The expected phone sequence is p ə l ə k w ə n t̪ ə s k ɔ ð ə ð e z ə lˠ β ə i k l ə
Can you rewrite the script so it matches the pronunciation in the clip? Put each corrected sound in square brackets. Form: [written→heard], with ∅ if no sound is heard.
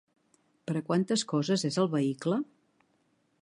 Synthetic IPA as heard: p ə [l→ɾ] ə k w [ə→a] n t̪ ə s k ɔ [ð→z] ə [ð→z] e z ə lˠ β ə i k l ə